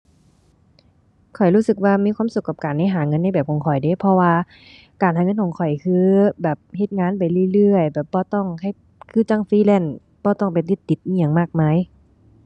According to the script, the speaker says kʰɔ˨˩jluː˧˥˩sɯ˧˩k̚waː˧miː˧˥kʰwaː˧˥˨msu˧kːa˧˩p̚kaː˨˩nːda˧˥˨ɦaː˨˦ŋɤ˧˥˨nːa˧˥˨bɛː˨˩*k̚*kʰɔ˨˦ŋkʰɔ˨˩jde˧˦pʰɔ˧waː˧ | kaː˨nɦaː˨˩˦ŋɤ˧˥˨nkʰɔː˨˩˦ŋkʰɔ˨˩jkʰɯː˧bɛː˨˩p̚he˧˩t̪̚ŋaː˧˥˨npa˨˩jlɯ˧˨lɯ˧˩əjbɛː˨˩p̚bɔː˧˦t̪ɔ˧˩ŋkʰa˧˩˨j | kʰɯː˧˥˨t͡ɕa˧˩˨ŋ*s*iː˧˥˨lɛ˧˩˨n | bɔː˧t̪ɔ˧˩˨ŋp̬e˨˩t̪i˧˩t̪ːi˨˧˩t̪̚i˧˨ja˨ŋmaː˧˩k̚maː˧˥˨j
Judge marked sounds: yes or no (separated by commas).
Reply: no, no